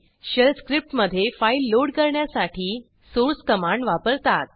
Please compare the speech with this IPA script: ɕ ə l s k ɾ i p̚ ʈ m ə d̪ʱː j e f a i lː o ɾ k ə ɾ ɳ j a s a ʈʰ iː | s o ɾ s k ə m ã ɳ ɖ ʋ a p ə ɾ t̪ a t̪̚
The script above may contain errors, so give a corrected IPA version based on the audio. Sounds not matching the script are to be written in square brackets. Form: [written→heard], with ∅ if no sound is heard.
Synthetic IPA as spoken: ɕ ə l s k ɾ i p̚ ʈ m ə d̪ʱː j e f a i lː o [ɾ→ɽ] k ə ɾ ɳ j a s a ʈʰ iː | s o ɾ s k ə m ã ɳ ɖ ʋ a p ə ɾ t̪ a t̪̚